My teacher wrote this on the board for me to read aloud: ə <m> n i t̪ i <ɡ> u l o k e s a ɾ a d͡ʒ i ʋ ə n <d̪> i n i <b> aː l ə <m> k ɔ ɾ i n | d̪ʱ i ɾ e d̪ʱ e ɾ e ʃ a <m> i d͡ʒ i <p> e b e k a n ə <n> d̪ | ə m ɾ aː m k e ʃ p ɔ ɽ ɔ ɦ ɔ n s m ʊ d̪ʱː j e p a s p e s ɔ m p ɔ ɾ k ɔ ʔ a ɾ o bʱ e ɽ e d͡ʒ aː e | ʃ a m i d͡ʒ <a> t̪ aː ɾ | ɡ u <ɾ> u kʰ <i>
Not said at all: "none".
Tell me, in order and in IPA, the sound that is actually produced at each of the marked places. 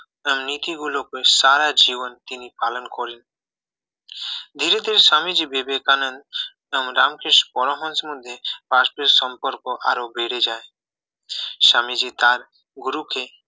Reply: m, ɡ, t̪, p, n, m, b, n, i, ɾ, e

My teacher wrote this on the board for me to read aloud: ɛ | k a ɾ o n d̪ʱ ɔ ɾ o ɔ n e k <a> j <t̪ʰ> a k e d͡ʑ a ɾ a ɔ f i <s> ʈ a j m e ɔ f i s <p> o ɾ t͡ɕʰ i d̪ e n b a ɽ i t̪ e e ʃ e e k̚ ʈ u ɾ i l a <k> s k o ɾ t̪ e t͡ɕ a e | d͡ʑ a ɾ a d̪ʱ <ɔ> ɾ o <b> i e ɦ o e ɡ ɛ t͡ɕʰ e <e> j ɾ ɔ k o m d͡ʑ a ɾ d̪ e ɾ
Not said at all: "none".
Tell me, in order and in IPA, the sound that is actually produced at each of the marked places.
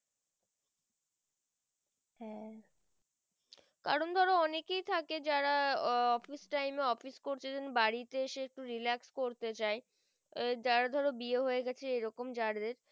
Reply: e, t̪ʰ, s, k, k, ɔ, b, e

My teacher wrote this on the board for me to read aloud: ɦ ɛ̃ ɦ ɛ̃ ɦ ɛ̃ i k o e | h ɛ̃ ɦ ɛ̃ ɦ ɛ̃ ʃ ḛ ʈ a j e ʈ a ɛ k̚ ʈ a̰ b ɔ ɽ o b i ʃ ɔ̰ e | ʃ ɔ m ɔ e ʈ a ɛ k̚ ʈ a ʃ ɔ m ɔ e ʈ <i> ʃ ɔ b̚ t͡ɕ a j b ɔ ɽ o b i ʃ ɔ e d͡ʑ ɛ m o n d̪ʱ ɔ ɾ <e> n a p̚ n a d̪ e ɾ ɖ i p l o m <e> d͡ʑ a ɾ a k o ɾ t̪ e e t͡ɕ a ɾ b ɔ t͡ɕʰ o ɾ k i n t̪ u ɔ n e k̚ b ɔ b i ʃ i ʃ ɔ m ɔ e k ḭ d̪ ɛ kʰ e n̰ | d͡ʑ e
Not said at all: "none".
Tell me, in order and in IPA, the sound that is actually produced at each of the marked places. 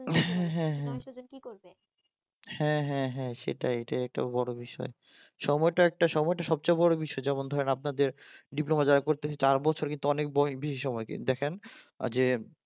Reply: a, e, a

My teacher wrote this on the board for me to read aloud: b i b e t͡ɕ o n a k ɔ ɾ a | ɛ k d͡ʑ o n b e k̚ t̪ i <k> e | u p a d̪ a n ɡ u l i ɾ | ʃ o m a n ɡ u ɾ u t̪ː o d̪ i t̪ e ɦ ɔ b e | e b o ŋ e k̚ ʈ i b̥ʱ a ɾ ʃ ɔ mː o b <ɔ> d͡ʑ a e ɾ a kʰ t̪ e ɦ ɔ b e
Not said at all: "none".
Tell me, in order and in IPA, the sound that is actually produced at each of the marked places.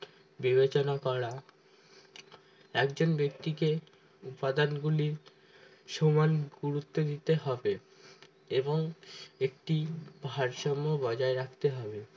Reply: k, ɔ

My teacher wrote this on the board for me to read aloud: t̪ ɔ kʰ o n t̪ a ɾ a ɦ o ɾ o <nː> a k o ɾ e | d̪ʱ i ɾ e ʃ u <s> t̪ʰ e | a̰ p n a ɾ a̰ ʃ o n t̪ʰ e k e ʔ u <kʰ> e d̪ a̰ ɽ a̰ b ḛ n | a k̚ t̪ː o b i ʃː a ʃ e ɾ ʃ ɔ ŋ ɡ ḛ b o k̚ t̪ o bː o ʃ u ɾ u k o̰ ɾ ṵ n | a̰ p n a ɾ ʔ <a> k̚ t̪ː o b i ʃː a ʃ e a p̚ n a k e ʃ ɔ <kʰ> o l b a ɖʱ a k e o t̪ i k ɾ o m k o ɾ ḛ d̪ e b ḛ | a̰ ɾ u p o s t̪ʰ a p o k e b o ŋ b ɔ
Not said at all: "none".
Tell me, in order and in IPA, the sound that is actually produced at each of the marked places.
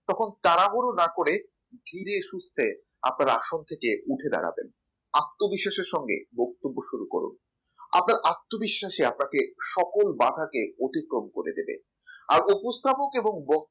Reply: n, s, ʈʰ, a, k

